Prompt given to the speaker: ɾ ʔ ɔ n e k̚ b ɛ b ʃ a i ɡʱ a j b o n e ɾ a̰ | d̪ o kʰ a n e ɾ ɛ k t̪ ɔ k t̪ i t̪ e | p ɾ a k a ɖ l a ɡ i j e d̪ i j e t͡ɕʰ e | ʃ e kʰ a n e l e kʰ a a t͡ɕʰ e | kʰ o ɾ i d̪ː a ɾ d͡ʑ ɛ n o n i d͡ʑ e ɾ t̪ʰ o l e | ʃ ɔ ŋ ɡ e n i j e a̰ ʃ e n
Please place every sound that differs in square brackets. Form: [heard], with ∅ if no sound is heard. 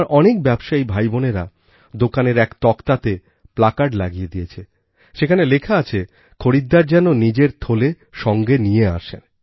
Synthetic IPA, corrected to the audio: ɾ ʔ ɔ n e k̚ b ɛ b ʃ a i [bʱ] a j b o n e ɾ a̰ | d̪ o [k] a n e ɾ ɛ k t̪ ɔ k t̪ [a] t̪ e | p [l] a k a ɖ l a ɡ i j e d̪ i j e t͡ɕʰ e | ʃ e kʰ a n e l e kʰ a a t͡ɕʰ e | kʰ o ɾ i d̪ː a ɾ d͡ʑ ɛ n o n i d͡ʑ e ɾ t̪ʰ o l e | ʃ ɔ ŋ ɡ e n i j e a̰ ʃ e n